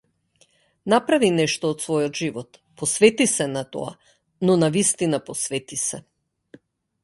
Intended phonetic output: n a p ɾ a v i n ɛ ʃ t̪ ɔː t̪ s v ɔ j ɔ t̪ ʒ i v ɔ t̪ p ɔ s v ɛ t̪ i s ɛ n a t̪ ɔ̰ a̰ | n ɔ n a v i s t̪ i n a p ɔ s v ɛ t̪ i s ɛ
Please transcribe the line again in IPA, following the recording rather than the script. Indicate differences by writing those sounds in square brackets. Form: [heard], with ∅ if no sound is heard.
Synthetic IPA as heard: n a p ɾ a v i n ɛ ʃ t̪ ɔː t̪ s v ɔ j ɔ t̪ ʒ i v ɔ t̪ p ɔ s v ɛ t̪ i s ɛ n a t̪ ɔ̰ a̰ | n ɔ n a v i s t̪ i n a p ɔ s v ɛ t̪ i s ɛ